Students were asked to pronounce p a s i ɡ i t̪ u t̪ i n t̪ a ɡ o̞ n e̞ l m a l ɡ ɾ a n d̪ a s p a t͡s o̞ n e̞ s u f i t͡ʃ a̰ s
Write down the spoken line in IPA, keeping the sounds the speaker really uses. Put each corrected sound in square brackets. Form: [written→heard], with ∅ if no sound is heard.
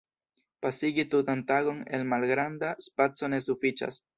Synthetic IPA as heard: p a s i ɡ i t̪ u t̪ [i→a] n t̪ a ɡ o̞ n e̞ l m a l ɡ ɾ a n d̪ a s p a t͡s o̞ n e̞ s u f i t͡ʃ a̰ s